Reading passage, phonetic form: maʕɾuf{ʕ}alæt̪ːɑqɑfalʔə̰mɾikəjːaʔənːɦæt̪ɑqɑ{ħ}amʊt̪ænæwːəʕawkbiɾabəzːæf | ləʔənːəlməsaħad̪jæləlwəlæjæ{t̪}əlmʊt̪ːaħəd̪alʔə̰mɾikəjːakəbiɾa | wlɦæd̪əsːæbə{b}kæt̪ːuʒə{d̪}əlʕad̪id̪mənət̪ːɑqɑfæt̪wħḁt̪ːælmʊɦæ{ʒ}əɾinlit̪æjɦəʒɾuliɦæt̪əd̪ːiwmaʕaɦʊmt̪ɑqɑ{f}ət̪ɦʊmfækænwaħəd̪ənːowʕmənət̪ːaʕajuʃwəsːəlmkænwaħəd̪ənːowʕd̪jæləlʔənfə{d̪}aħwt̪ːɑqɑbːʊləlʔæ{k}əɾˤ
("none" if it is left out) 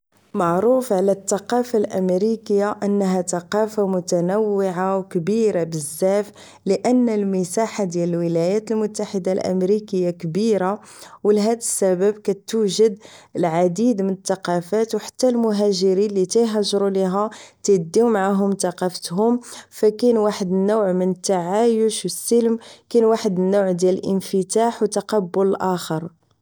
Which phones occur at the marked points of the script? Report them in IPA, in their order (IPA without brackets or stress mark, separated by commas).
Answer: ʕ, f, t̪, b, d̪, ʒ, f, t̪, x